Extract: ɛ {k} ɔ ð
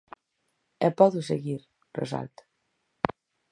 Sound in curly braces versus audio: incorrect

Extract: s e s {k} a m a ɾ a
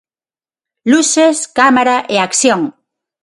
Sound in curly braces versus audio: correct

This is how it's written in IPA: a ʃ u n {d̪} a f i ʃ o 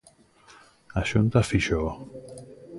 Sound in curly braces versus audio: incorrect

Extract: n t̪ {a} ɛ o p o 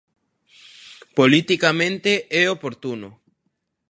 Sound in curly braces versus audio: incorrect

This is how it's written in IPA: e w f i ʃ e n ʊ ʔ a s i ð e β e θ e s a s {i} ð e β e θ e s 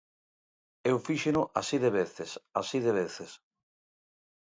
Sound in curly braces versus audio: correct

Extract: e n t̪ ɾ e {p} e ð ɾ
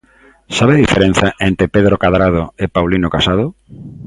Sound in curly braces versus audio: correct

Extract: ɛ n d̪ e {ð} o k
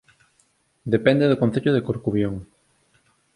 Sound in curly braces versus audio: correct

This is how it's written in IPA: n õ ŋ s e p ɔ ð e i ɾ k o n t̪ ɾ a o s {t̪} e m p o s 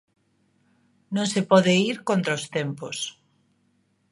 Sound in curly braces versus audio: correct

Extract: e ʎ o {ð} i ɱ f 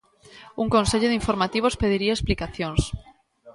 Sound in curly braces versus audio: correct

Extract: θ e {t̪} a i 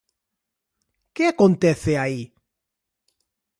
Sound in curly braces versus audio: incorrect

